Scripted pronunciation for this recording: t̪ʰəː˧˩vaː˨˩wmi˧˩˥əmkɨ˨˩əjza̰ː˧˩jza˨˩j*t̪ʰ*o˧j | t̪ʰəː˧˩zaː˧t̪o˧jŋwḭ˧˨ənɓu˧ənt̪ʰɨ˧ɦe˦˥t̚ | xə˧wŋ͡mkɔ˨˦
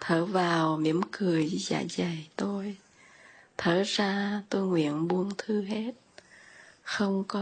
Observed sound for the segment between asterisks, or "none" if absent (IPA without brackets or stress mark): t̪